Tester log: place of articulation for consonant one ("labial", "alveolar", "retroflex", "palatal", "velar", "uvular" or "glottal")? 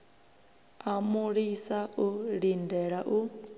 labial